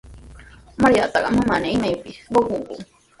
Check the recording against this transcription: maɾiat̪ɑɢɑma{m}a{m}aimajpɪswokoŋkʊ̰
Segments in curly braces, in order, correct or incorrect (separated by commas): correct, incorrect